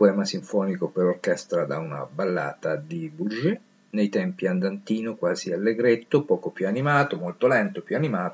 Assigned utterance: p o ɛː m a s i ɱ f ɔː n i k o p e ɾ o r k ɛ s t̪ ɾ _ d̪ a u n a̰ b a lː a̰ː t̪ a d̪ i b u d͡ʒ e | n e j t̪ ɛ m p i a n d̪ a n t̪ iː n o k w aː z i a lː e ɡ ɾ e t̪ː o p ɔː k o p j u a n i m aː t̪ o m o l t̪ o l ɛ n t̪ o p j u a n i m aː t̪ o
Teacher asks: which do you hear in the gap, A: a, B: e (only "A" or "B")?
A